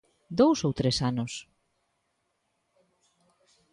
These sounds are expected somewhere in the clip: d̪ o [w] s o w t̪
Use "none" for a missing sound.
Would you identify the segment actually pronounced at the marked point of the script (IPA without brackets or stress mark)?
w